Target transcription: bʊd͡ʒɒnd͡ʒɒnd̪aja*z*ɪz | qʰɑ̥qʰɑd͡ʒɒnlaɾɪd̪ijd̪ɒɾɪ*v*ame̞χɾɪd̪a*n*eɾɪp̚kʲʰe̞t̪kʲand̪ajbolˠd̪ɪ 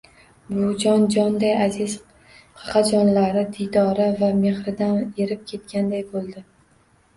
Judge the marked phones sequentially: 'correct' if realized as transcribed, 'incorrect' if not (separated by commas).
correct, correct, correct